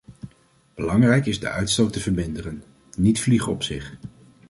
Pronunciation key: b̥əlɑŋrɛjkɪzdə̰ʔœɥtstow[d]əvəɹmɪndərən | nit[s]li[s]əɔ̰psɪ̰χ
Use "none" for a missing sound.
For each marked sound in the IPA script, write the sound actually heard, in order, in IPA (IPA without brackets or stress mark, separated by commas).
t, f, χ